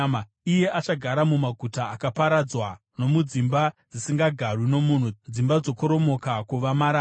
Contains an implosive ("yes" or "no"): no